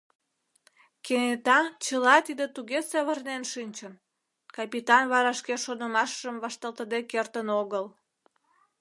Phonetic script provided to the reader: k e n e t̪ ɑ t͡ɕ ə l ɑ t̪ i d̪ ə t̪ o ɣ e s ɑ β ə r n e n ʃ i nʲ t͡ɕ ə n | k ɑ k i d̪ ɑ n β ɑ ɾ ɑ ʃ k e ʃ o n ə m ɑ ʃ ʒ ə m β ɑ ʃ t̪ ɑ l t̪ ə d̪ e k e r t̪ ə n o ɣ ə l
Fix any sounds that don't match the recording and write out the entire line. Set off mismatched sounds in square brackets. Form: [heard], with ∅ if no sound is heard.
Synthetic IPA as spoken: k e n e t̪ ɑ t͡ɕ ə l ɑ t̪ i d̪ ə t̪ [u] ɣ e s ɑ β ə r n e n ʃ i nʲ t͡ɕ ə n | k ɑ [p] i [t̪] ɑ n β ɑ ɾ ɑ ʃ k e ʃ o n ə m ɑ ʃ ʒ ə m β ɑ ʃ t̪ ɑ l t̪ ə d̪ e k e r t̪ ə n o ɣ ə l